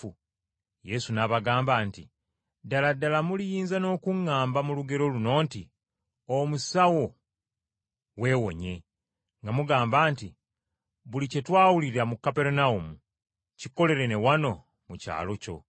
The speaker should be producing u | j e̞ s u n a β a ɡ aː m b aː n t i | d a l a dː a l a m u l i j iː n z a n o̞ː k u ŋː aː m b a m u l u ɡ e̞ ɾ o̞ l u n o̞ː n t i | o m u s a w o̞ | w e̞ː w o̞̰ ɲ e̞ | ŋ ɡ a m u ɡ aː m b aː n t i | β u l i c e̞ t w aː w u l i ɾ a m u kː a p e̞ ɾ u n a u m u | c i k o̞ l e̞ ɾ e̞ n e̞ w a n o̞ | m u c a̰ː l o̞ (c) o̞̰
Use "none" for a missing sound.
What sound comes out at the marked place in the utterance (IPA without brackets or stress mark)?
c